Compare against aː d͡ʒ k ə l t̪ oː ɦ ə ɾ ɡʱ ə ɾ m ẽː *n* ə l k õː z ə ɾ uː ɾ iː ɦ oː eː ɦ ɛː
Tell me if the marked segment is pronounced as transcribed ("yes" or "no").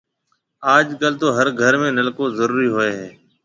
yes